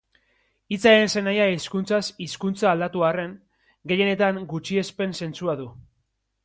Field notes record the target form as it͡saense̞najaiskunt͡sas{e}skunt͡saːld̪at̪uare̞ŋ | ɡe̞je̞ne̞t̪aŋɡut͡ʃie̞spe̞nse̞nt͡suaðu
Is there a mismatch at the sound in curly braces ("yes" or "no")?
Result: yes